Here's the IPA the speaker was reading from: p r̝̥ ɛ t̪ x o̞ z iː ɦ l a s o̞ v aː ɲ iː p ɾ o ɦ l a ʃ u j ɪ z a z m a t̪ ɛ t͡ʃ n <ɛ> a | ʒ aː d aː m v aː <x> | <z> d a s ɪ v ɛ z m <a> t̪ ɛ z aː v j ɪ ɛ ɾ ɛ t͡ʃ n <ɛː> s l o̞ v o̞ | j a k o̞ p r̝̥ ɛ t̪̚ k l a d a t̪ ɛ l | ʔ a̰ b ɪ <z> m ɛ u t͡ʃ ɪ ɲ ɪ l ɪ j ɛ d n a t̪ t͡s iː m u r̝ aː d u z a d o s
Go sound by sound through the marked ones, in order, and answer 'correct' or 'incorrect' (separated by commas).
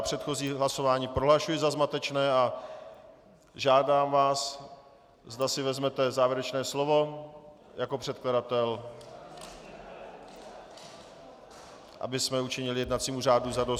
incorrect, incorrect, correct, incorrect, correct, incorrect